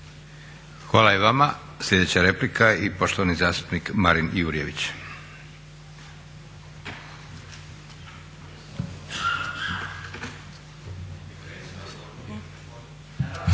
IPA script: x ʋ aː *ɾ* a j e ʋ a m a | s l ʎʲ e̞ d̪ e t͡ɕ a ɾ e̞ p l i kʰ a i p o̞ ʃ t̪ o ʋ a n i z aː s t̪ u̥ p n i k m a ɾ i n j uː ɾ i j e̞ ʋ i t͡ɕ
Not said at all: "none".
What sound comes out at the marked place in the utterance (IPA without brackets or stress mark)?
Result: l